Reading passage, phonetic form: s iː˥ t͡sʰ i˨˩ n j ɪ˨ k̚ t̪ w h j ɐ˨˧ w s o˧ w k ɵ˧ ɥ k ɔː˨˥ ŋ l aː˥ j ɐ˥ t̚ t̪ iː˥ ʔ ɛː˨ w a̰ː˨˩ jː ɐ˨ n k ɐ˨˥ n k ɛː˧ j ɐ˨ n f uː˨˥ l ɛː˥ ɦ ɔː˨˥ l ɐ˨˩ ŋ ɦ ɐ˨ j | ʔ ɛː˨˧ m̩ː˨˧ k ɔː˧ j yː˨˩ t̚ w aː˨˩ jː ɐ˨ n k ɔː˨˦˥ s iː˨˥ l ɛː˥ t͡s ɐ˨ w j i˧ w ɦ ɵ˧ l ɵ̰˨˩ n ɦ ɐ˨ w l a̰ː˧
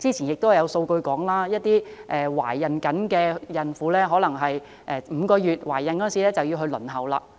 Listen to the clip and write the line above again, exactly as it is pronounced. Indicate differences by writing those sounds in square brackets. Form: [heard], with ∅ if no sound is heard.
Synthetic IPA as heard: [t͡s] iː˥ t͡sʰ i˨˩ n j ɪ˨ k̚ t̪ w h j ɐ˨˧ w s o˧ w k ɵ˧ ɥ k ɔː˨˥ ŋ l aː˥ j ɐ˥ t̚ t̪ iː˥ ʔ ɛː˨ w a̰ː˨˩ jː ɐ˨ n k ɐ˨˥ n k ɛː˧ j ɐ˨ n f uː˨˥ l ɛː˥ ɦ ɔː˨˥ l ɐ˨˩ ŋ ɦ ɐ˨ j | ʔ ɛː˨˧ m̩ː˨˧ k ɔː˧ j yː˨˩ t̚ w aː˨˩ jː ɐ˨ n k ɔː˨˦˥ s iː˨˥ l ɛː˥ t͡s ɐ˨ w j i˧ w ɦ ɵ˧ l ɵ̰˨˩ n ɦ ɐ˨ w l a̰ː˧

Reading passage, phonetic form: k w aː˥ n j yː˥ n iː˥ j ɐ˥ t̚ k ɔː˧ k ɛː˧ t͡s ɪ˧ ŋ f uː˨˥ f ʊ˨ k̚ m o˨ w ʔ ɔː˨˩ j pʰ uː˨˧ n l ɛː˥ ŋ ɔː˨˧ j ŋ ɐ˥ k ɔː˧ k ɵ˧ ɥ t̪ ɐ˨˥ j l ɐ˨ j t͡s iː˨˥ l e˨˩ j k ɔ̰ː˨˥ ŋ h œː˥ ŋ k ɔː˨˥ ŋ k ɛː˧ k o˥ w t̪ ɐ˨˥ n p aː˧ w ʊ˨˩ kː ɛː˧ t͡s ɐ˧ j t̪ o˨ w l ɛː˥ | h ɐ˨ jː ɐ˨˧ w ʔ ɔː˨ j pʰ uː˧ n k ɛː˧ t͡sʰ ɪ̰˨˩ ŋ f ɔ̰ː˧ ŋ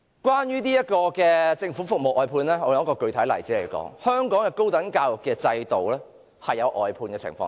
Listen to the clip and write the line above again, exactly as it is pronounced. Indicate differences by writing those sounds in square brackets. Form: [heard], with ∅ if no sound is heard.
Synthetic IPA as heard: k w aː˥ n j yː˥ n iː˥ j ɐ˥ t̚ k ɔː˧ k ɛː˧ t͡s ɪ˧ ŋ f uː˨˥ f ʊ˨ k̚ m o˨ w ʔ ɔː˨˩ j pʰ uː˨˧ n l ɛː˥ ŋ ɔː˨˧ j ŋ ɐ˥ k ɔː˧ k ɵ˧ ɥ [t̪ʰ] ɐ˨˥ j l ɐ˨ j t͡s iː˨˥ l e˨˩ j k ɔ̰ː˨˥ ŋ h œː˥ ŋ k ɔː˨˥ ŋ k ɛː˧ k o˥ w t̪ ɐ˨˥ n [k] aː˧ w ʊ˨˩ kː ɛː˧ t͡s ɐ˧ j t̪ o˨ w l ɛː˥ | h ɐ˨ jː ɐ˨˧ w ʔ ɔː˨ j pʰ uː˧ n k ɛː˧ t͡sʰ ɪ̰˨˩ ŋ f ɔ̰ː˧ ŋ

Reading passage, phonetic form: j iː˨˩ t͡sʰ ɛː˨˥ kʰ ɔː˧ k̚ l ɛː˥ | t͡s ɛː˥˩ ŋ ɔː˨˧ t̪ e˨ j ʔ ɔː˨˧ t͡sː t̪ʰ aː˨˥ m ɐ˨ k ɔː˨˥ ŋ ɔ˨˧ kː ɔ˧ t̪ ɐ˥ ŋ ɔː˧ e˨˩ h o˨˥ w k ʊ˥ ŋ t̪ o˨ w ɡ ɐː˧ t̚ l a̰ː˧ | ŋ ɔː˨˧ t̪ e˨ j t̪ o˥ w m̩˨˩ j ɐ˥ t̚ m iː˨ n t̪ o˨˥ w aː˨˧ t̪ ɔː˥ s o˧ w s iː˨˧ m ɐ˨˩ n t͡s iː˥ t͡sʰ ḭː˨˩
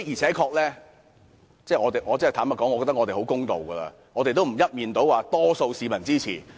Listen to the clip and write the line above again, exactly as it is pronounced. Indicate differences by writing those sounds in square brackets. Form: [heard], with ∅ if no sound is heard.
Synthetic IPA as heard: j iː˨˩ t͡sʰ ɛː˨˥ kʰ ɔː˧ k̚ l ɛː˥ | t͡s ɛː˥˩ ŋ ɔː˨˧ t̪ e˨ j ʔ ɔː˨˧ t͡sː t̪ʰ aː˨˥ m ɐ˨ k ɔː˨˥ ŋ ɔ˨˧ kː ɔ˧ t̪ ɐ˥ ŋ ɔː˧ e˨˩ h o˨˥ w k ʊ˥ ŋ t̪ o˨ w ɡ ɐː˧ [∅] l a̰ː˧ | ŋ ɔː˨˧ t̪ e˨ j t̪ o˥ w m̩˨˩ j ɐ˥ t̚ m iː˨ n t̪ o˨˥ w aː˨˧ t̪ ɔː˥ s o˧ w s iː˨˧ m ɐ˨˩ n t͡s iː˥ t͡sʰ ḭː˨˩

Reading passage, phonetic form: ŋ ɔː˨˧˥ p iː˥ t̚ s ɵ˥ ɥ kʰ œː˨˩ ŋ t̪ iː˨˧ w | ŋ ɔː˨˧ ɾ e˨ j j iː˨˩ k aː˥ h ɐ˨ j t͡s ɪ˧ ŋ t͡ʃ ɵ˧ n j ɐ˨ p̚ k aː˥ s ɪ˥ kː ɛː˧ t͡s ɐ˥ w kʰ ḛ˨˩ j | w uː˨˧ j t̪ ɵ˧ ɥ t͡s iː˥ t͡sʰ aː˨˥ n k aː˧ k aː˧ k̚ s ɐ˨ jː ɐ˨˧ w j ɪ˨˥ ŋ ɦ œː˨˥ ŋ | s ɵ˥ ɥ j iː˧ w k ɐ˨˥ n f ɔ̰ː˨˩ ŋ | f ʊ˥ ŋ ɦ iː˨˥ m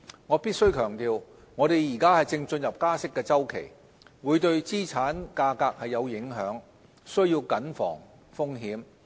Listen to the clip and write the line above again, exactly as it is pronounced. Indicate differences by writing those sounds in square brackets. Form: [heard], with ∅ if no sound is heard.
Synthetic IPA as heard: ŋ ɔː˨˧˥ p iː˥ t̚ s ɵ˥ ɥ kʰ œː˨˩ ŋ t̪ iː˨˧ w | ŋ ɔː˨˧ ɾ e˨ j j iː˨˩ k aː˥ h ɐ˨ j t͡s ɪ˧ ŋ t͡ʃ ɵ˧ n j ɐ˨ p̚ k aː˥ s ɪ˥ kː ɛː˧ t͡s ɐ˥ w kʰ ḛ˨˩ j | w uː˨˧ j t̪ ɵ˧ ɥ t͡s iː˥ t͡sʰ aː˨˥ n k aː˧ k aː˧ k̚ [h] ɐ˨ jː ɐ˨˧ w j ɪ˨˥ ŋ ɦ œː˨˥ ŋ | s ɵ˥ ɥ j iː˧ w k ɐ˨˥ n f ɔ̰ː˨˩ ŋ | f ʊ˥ ŋ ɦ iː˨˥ m

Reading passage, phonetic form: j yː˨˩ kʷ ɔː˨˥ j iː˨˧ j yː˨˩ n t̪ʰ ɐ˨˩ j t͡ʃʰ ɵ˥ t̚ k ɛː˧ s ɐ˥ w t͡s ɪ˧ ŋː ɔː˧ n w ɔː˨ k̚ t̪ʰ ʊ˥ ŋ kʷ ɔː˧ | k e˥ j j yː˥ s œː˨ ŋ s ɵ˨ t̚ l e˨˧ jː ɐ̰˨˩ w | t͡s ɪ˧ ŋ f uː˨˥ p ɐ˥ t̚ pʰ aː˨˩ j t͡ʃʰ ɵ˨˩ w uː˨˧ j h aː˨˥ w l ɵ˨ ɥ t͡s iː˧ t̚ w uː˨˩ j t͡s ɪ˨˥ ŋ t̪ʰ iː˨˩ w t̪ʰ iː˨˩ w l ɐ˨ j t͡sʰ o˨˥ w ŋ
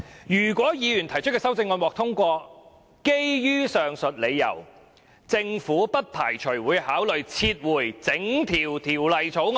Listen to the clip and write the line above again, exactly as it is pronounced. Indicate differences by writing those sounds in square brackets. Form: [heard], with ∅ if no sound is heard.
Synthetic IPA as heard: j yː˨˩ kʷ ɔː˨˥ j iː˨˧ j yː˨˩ n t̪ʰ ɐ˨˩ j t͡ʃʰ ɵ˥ t̚ k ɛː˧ s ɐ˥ w t͡s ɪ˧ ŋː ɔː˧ n w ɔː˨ k̚ t̪ʰ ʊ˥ ŋ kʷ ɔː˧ | k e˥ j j yː˥ s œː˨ ŋ s ɵ˨ t̚ l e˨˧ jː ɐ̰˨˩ w | t͡s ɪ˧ ŋ f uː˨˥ p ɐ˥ t̚ pʰ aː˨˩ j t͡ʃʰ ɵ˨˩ w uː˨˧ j h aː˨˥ w l ɵ˨ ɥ [t͡sʰ] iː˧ t̚ w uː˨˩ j t͡s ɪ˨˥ ŋ t̪ʰ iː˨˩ w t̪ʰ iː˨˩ w l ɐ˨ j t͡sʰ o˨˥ w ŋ

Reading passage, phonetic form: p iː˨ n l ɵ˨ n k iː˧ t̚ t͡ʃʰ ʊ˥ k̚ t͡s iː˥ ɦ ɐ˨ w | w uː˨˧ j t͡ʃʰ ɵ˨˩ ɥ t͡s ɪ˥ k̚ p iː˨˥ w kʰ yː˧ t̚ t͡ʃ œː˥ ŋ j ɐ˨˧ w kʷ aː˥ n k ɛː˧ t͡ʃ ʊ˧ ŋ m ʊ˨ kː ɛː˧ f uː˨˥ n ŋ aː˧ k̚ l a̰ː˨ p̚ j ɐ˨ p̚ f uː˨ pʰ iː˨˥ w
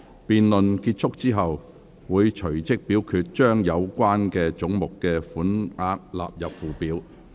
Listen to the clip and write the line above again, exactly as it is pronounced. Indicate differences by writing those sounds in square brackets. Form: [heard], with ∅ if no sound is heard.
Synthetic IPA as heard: p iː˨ n l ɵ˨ n k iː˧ t̚ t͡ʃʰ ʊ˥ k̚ t͡s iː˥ ɦ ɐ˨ w | w uː˨˧ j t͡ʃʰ ɵ˨˩ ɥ t͡s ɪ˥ k̚ p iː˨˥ w kʰ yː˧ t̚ t͡ʃ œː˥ ŋ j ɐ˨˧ w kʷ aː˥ n k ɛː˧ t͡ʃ [ʊ˨˥] ŋ m ʊ˨ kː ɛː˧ f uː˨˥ n ŋ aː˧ k̚ l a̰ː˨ p̚ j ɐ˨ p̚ f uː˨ [p] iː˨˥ w

